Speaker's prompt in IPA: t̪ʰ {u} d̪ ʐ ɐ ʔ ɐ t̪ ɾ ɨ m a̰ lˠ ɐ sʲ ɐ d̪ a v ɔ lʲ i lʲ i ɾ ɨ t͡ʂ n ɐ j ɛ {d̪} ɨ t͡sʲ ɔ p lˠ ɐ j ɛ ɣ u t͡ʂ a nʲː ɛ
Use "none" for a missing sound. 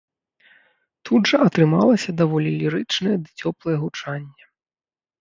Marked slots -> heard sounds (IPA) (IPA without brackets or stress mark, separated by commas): u, d̪